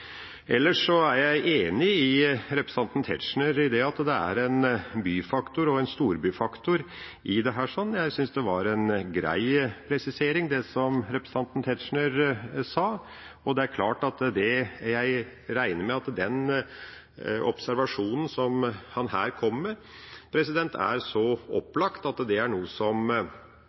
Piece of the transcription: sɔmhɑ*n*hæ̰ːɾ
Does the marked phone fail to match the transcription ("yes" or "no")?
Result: no